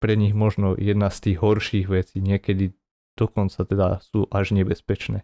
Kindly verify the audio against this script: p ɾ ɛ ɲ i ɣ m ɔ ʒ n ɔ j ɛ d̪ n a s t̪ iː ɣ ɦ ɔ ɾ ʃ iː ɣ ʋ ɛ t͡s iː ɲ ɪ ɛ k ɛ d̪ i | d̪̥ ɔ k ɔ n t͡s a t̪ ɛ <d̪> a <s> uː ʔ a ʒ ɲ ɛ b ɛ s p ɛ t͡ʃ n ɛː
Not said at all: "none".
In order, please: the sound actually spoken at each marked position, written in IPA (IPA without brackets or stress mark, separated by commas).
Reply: d̪, s